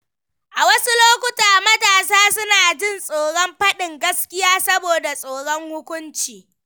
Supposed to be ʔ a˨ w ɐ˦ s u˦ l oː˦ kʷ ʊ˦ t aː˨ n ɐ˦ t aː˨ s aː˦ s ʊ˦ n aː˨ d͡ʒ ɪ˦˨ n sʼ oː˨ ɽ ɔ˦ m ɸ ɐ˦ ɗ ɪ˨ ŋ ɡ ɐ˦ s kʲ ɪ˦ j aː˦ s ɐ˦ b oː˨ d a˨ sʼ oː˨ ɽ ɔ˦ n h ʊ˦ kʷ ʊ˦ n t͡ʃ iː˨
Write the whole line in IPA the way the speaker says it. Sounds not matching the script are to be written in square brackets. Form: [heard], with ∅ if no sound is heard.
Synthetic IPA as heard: ʔ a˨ w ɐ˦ s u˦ l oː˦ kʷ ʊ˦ t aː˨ [m] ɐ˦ t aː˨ s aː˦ s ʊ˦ n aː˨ d͡ʒ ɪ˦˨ n sʼ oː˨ ɽ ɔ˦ m ɸ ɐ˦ ɗ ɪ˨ ŋ ɡ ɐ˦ s kʲ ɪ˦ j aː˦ s ɐ˦ b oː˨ d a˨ sʼ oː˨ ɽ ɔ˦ [ŋ] h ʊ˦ kʷ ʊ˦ n t͡ʃ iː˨